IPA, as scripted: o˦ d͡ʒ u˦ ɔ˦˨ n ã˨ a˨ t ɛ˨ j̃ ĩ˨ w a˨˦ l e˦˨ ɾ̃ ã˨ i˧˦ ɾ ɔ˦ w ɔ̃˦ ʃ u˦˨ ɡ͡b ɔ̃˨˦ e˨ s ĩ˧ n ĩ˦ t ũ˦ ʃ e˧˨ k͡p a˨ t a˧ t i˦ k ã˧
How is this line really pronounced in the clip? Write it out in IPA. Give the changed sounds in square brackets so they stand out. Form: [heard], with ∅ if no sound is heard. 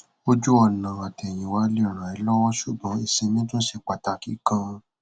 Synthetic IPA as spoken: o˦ d͡ʒ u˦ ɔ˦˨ n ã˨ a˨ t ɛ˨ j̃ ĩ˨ w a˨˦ l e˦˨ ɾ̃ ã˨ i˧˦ [l] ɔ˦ w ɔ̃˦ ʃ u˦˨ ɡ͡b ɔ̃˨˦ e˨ s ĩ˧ n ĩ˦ t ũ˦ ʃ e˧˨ k͡p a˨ t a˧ [k] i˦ k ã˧